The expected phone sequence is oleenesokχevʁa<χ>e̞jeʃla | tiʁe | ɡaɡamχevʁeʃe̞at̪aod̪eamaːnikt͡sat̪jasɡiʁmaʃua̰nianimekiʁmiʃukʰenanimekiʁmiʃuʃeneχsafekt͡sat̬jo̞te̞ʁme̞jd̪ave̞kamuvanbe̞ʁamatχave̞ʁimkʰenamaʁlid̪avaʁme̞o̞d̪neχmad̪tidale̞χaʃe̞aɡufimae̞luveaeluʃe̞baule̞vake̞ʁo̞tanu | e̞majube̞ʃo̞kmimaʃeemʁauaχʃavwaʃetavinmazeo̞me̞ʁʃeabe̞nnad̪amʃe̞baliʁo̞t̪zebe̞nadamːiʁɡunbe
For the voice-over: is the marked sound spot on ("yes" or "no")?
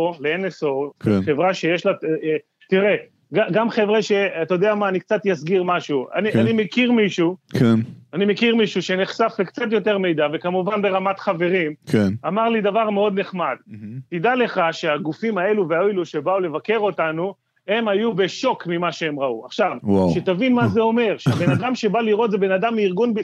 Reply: no